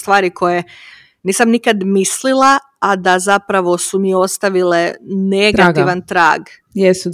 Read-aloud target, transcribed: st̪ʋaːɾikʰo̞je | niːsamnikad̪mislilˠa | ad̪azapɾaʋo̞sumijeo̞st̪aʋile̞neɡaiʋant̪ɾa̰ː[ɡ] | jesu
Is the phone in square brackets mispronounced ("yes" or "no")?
no